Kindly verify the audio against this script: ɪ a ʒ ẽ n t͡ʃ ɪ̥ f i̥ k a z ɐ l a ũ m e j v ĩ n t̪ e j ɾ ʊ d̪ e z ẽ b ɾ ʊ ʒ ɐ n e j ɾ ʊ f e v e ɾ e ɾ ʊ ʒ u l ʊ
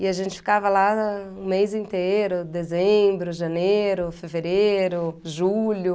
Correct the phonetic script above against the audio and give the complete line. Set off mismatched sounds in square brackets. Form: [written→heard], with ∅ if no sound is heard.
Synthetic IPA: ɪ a ʒ ẽ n t͡ʃ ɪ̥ f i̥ k a [z→v] ɐ l a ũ m e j [v→z] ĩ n t̪ e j ɾ ʊ d̪ e z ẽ b ɾ ʊ ʒ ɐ n e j ɾ ʊ f e v e ɾ e ɾ ʊ ʒ u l ʊ